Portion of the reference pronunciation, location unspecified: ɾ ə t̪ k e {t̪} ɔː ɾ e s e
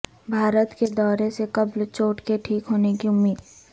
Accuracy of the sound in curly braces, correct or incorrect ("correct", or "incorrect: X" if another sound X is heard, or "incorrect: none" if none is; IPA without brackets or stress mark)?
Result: incorrect: d̪